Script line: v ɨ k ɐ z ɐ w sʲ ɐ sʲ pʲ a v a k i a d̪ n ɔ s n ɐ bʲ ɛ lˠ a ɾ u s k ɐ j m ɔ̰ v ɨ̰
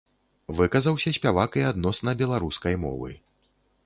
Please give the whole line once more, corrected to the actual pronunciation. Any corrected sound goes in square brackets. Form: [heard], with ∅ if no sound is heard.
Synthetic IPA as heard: v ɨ k ɐ z ɐ w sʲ ɐ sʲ pʲ a v a k i a d̪ n ɔ s n ɐ bʲ ɛ lˠ a ɾ u s k ɐ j m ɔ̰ v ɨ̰